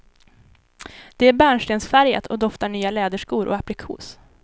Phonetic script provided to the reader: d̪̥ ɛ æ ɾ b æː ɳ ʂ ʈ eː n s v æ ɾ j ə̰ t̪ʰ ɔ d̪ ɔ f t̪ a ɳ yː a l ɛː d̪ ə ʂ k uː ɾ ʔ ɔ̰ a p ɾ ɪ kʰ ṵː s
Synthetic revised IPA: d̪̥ ɛ æ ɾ b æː ɳ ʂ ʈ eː n s f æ ɾ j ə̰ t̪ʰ ɔ d̪ ɔ f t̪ a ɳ yː a l ɛː d̪ ə ʂ k uː ɾ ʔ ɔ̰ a p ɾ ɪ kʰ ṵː s